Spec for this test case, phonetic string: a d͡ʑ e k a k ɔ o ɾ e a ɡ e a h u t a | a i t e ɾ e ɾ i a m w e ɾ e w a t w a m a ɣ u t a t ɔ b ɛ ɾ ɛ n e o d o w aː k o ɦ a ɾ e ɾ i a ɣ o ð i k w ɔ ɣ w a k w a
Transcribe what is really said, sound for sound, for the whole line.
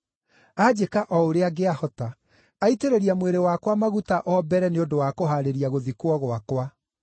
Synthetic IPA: a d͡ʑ e k a ʔ ɔ o ɾ e a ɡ e a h ɔ t a | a i t e ɾ e ɾ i a m w e ɾ e w a k w a m a ɣ u t a ʔ ɔ b ɛ ɾ ɛ n e o d o w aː k o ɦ a ɾ e ɾ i a ɣ o ð i k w ɔ ɣ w a k w a